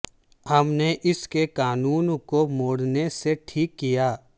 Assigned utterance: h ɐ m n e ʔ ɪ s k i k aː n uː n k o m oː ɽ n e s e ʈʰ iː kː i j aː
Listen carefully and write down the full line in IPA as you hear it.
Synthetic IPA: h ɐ m n e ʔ ɪ s k e k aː n uː n k o m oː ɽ n e s e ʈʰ iː kː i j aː